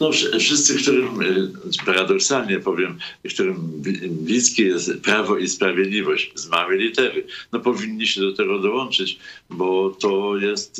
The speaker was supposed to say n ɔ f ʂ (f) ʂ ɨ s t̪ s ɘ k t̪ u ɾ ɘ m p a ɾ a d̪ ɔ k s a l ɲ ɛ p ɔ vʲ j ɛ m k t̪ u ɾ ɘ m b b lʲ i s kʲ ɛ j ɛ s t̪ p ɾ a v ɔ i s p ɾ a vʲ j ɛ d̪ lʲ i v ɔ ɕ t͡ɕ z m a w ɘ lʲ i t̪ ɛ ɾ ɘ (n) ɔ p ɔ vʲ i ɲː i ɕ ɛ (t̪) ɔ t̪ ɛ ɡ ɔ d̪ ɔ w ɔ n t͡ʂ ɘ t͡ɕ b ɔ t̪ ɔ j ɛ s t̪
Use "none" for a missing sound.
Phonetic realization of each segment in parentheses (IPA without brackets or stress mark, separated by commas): f, n, d̪